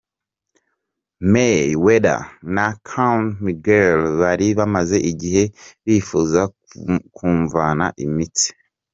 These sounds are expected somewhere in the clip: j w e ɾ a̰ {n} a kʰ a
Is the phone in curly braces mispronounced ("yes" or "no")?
no